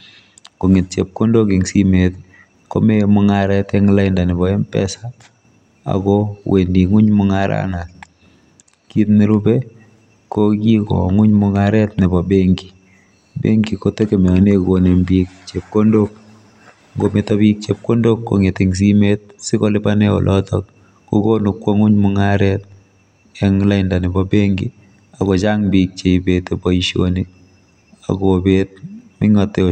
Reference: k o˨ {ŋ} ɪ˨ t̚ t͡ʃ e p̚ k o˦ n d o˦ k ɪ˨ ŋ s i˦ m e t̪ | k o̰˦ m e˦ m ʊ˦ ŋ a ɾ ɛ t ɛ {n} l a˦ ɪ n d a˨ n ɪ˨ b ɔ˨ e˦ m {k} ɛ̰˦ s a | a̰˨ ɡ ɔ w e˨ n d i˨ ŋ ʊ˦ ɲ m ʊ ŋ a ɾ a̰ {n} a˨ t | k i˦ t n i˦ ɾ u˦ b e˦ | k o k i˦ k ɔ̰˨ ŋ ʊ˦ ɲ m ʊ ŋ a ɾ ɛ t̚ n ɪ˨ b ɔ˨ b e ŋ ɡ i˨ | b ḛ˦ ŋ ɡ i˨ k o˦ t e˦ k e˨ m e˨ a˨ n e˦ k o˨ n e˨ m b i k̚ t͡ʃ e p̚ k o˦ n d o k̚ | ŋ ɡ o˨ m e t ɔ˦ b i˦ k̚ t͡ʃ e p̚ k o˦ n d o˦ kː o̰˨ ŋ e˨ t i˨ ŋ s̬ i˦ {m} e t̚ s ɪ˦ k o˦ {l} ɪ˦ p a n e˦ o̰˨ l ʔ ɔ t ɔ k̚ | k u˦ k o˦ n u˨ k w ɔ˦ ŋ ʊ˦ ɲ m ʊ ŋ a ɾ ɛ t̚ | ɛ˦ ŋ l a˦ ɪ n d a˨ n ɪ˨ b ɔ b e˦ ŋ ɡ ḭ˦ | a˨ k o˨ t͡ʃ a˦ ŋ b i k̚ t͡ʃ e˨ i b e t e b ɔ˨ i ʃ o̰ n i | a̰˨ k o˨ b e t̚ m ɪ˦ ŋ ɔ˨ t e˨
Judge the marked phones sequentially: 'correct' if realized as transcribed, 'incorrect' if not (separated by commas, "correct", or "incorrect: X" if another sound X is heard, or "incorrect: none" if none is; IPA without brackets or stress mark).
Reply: correct, incorrect: ŋ, incorrect: p, correct, correct, correct